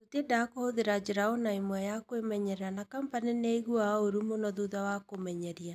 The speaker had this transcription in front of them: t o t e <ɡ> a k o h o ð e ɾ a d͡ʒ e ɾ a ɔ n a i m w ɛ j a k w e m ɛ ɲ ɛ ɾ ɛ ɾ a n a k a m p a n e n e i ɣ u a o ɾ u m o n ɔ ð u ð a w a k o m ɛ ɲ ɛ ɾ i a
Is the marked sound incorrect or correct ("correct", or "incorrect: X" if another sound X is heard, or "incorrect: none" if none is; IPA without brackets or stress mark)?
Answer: incorrect: d